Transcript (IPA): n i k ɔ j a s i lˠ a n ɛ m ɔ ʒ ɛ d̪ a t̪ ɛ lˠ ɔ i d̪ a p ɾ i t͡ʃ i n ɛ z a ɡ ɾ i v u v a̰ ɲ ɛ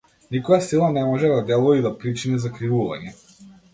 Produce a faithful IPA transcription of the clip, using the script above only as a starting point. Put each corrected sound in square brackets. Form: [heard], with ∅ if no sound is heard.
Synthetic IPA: n i k ɔ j a s i lˠ a n ɛ m ɔ ʒ ɛ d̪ a [d̪] ɛ lˠ ɔ i d̪ a p ɾ i t͡ʃ i n ɛ z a [k] ɾ i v u v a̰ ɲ ɛ